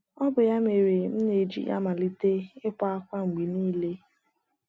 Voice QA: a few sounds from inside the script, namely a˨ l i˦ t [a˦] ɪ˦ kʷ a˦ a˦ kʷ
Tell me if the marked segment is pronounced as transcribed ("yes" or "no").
no